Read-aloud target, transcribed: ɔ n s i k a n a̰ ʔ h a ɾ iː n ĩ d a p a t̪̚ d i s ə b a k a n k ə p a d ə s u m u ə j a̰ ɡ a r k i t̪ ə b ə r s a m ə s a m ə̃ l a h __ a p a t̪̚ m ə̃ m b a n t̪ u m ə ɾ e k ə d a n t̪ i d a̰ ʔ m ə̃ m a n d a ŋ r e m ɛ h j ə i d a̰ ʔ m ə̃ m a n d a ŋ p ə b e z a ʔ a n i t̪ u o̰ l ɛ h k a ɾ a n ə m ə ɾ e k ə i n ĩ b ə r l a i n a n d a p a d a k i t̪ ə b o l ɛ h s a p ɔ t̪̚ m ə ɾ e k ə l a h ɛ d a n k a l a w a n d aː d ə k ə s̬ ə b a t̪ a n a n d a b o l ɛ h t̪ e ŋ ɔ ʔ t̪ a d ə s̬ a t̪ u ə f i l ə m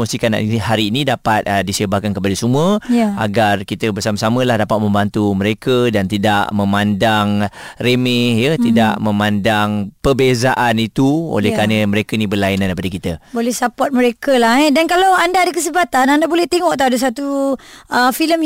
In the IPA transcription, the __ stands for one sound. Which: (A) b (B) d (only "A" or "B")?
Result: B